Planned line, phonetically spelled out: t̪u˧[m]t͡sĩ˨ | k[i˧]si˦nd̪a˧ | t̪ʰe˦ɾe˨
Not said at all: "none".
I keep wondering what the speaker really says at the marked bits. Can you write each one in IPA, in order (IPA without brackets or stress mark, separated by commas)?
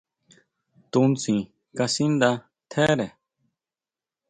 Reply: n, a˧